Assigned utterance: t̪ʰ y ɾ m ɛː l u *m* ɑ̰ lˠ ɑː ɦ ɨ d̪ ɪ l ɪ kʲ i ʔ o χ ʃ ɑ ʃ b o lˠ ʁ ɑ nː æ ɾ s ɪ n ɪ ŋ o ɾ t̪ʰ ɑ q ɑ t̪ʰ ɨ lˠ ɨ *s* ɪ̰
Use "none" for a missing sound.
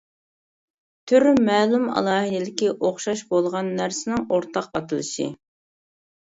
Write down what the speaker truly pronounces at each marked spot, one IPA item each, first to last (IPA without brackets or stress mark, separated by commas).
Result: m, ʃ